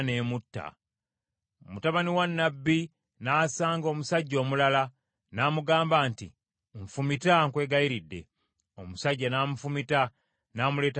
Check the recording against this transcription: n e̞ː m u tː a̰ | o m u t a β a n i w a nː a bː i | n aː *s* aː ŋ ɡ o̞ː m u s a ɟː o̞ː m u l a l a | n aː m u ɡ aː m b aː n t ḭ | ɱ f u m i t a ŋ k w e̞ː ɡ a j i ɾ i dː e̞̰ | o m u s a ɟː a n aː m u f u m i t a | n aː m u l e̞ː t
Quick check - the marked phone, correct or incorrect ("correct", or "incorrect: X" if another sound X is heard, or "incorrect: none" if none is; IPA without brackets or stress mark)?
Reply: correct